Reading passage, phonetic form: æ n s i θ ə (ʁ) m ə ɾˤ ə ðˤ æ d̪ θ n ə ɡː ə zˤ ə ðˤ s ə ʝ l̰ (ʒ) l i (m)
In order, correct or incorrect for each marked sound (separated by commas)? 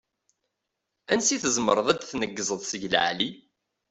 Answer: incorrect, incorrect, incorrect